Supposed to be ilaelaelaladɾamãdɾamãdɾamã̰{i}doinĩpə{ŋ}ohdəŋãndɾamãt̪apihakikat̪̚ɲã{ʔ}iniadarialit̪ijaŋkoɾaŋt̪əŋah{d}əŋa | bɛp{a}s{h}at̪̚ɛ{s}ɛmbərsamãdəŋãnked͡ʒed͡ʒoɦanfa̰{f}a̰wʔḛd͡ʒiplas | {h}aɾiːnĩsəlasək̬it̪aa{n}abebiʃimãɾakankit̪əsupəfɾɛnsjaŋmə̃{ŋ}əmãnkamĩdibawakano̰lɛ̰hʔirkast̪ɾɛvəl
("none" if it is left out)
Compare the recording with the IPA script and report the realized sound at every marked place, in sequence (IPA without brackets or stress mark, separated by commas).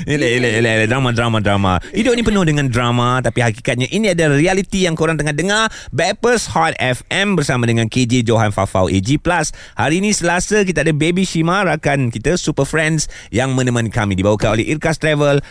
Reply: i, n, ʔ, d, ə, h, f, f, h, d, n